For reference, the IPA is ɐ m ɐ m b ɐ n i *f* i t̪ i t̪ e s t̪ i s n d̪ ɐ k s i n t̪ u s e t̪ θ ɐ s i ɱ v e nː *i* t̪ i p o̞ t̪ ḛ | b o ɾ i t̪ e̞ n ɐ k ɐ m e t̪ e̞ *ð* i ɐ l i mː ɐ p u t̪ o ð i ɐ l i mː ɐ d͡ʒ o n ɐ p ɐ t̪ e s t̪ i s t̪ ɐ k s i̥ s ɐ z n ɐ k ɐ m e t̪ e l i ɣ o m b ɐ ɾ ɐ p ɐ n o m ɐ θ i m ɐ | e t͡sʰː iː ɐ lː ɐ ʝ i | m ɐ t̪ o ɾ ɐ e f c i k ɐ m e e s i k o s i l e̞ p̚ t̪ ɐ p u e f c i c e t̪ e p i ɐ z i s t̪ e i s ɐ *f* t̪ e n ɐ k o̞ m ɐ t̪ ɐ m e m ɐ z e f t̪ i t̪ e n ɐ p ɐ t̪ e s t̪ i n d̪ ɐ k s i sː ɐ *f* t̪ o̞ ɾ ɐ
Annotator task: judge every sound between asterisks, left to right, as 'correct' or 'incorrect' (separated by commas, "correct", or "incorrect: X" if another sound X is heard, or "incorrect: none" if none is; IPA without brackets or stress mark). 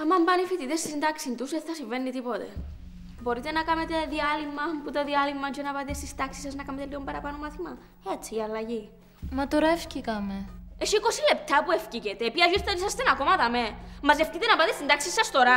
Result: correct, correct, correct, incorrect: s, incorrect: s